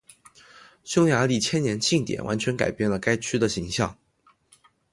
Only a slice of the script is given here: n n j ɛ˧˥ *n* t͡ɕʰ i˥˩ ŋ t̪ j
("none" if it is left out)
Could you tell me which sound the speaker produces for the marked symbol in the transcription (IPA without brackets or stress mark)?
n